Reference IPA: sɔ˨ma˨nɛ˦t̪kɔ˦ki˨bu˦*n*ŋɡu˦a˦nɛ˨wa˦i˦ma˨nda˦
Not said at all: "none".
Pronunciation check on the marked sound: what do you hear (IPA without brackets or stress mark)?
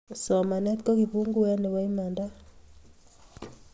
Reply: none